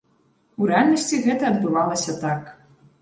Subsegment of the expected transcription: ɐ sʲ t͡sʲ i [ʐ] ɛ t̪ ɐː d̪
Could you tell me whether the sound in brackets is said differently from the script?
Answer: yes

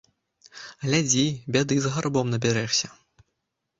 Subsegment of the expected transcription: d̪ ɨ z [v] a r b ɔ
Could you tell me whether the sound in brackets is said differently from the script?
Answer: yes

